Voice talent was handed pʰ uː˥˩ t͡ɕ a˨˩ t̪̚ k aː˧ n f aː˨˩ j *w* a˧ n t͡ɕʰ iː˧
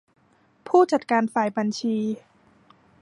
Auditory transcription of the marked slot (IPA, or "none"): b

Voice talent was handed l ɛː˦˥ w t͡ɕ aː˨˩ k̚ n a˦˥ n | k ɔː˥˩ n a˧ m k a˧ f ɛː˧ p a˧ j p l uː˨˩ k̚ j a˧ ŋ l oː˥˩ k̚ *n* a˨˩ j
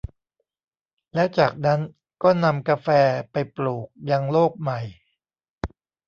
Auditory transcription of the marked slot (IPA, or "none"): m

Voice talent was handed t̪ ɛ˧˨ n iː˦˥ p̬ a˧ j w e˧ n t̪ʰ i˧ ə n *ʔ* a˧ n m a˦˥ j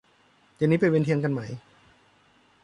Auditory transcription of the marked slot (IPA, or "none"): k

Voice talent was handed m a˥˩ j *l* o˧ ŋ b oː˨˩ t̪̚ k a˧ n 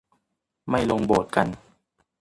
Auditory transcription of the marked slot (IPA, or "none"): l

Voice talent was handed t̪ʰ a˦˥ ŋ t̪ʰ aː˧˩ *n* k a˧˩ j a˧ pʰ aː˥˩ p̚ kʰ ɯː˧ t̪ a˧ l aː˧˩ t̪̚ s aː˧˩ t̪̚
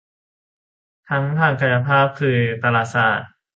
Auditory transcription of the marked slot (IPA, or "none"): ŋ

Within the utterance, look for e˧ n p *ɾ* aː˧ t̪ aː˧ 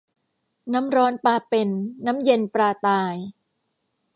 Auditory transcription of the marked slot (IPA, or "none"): ɾ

